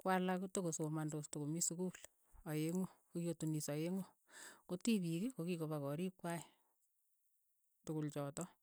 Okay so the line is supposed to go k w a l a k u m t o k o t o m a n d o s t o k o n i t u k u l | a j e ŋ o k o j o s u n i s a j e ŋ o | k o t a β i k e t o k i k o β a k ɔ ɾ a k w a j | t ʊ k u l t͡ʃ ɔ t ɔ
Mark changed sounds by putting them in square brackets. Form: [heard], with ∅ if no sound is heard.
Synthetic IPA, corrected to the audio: k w a l a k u [∅] t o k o [s] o m a n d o s t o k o [m] i [s] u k u l | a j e ŋ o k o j o [t] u n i s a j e ŋ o | k o t [i] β i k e [k] o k i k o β a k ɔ ɾ [i] k w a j | t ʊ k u l t͡ʃ ɔ t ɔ